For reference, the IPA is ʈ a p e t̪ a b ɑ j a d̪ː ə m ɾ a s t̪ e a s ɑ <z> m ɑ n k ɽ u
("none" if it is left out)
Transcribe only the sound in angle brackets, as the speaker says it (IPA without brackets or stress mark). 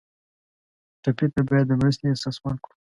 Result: s